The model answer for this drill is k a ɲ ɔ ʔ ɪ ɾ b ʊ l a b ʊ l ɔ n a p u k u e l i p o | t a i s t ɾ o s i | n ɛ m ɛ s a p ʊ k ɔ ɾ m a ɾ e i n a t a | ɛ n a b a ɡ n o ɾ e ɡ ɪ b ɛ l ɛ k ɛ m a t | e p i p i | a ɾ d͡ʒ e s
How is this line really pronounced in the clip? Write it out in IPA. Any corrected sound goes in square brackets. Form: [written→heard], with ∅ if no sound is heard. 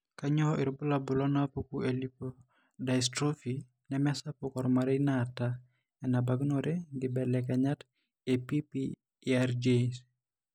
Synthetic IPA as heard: k a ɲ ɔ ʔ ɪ ɾ b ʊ l a b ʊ l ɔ n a p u k u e l i p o | [t→d] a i s t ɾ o [s→f] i | n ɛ m ɛ s a p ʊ k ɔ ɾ m a ɾ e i n a t a | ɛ n a b a ɡ n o ɾ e ɡ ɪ b ɛ l ɛ k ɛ [m→ɲ] a t | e p i p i | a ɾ d͡ʒ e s

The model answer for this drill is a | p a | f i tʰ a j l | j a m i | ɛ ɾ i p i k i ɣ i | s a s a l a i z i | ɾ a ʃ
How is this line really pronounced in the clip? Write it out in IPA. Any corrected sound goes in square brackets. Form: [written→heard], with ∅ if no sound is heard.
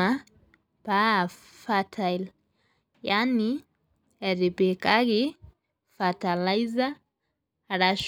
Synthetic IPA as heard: a | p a | f [i→a] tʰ a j l | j a [m→n] i | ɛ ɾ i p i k [i→a] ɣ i | [s→f] a [s→t] a l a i z [i→a] | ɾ a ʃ

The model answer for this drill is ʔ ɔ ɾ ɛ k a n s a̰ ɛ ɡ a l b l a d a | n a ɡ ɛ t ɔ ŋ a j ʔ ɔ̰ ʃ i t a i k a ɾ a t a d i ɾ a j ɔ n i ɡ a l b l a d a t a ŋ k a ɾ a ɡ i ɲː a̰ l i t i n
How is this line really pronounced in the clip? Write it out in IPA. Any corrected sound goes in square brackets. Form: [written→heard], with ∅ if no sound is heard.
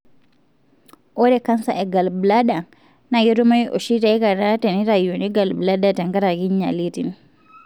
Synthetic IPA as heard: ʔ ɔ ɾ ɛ k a n s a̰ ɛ ɡ a l b l a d a | n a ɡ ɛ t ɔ [ŋ→m] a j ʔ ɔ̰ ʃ i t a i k a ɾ a t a [d→n] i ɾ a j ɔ n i ɡ a l b l a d a t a ŋ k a ɾ a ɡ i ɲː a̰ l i t i n

